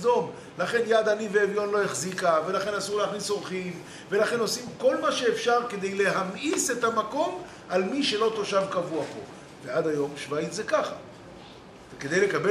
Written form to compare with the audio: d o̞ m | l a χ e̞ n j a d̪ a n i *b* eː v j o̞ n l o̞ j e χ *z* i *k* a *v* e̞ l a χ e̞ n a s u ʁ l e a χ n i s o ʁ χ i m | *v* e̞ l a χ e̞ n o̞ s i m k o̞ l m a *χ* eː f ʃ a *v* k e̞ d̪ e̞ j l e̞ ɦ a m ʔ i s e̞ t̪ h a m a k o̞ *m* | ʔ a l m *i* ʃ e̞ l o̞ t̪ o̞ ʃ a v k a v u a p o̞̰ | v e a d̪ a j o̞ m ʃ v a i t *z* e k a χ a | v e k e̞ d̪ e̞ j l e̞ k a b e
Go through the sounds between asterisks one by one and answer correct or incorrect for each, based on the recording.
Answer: incorrect, correct, correct, correct, correct, incorrect, incorrect, correct, correct, correct

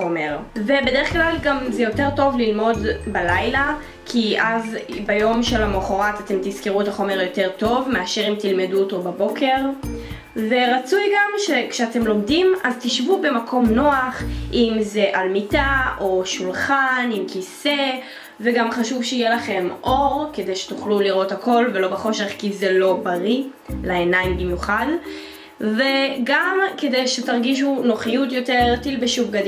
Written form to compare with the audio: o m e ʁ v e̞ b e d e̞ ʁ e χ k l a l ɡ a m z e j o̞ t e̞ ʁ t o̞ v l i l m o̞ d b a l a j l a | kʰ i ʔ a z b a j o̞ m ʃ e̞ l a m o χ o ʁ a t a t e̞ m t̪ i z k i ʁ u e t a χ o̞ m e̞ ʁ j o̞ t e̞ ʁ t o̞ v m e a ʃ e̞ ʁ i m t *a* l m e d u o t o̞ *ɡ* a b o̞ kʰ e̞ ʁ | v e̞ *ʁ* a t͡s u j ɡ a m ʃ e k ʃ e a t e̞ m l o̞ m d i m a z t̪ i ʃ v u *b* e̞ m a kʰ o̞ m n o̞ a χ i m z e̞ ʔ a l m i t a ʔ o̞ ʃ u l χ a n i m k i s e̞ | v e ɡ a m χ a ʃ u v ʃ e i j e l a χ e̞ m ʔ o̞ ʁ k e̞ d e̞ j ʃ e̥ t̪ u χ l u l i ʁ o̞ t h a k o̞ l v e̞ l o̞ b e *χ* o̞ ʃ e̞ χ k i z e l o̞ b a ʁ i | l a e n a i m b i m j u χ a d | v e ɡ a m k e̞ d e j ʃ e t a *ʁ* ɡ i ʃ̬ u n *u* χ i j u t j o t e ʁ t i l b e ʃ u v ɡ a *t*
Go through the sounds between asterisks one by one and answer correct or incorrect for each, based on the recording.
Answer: incorrect, incorrect, correct, correct, correct, correct, incorrect, incorrect

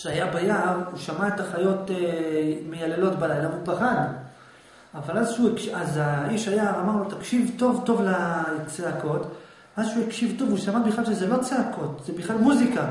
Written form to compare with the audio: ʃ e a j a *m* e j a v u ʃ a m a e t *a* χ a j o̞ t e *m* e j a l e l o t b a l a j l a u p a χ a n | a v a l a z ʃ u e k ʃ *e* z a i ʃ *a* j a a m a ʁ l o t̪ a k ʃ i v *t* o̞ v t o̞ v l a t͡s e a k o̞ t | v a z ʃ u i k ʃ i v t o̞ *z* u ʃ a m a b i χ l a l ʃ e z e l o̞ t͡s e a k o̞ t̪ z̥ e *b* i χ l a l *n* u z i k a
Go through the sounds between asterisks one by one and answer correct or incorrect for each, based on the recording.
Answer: incorrect, correct, correct, incorrect, correct, correct, incorrect, correct, incorrect

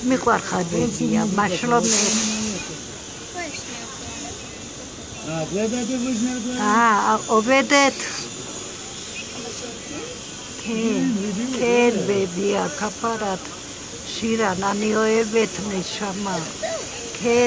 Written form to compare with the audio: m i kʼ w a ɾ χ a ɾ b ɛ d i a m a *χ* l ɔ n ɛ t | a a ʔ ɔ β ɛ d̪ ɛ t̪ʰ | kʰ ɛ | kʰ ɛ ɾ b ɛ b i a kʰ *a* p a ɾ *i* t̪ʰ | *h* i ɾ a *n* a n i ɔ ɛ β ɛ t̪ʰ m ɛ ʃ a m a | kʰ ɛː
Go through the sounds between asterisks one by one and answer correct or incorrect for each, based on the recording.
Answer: incorrect, correct, incorrect, incorrect, correct

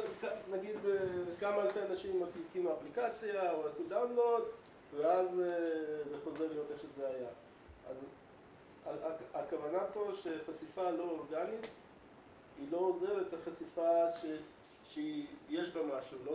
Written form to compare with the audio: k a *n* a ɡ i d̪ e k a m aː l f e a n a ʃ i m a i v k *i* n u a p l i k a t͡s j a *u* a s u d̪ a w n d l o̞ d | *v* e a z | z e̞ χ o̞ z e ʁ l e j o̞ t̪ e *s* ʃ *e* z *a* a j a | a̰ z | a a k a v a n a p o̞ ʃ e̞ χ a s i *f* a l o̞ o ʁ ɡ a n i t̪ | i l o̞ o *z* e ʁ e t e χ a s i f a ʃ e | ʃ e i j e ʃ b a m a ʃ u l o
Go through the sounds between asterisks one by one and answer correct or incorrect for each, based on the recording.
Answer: correct, correct, incorrect, correct, incorrect, correct, incorrect, correct, correct

